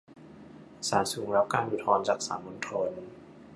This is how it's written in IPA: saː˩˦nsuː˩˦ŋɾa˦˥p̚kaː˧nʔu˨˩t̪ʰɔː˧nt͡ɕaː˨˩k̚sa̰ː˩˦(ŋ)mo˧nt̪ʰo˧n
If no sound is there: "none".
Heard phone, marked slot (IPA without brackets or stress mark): n